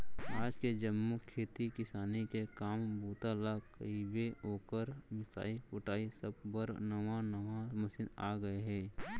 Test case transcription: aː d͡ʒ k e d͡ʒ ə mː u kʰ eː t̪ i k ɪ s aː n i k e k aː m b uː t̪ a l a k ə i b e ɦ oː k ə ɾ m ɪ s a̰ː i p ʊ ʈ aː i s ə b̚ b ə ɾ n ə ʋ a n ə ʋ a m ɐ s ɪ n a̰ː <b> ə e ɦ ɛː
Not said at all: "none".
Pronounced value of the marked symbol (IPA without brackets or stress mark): ɡ